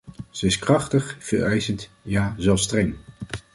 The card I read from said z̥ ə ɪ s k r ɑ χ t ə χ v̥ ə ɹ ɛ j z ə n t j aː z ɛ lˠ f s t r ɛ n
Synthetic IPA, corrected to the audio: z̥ ə ɪ s k r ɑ χ t ə χ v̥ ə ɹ ɛ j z ə n t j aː z ɛ lˠ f s t r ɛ ŋ